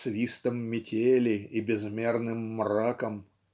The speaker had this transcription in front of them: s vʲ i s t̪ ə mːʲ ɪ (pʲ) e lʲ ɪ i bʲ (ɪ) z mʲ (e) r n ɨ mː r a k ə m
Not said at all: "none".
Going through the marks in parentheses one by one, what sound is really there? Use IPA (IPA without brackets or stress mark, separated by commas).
tʲ, ɪ, e